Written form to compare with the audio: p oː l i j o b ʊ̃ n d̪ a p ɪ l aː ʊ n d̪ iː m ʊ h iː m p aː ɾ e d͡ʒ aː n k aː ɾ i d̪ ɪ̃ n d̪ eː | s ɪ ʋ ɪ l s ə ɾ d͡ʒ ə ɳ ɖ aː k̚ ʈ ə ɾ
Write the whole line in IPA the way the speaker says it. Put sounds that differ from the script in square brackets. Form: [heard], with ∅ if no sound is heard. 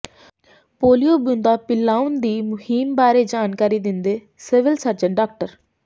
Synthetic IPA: p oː l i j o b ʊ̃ n d̪ a p ɪ l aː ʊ n d̪ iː m ʊ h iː m [b] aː ɾ e d͡ʒ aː n k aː ɾ i d̪ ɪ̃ n d̪ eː | s ɪ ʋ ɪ l s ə ɾ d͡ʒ ə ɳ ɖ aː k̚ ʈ ə ɾ

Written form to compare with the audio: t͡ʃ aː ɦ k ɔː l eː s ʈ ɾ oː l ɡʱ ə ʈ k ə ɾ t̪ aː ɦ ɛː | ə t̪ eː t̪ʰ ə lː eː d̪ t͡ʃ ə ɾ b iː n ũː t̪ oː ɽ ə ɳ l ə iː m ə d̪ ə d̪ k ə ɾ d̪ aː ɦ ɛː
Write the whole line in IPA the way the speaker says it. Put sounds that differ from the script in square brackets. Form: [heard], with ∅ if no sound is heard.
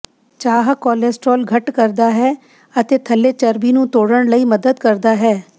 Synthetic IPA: t͡ʃ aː ɦ k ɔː l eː s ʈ ɾ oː l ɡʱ ə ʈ k ə ɾ [d̪] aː ɦ ɛː | ə t̪ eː t̪ʰ ə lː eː [∅] t͡ʃ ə ɾ b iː n ũː t̪ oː ɽ ə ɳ l ə iː m ə d̪ ə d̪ k ə ɾ d̪ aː ɦ ɛː

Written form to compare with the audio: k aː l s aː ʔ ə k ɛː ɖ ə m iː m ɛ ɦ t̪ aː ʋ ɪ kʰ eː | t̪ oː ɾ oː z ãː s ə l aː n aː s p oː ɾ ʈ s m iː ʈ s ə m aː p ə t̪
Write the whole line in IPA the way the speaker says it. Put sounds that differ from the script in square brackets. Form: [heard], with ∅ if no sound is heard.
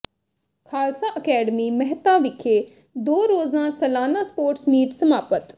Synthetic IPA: [kʰ] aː l s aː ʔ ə k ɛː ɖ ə m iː m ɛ ɦ t̪ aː ʋ ɪ kʰ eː | [d̪] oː ɾ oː z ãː s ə l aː n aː s p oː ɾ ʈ s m iː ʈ s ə m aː p ə t̪

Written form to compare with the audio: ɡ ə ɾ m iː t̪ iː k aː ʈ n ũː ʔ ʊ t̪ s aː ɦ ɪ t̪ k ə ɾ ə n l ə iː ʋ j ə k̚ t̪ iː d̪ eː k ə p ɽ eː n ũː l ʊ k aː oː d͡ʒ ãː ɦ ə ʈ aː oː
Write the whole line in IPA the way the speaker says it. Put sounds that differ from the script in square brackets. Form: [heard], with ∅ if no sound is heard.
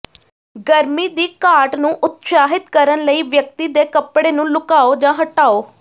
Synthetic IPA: ɡ ə ɾ m iː [d̪] iː k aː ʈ n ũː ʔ ʊ t̪ s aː ɦ ɪ t̪ k ə ɾ ə n l ə iː ʋ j ə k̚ t̪ iː d̪ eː k ə p ɽ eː n ũː l ʊ k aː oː d͡ʒ ãː ɦ ə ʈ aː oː

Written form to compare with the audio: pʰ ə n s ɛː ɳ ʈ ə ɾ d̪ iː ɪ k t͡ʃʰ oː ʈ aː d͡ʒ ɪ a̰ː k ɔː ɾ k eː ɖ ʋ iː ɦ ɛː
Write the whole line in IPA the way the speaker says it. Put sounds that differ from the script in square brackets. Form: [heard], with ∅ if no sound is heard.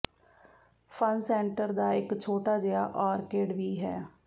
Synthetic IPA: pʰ ə n s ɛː ɳ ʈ ə ɾ d̪ [aː] ɪ k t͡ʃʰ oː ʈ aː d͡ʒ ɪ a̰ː [ʔ] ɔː ɾ k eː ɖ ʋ iː ɦ ɛː

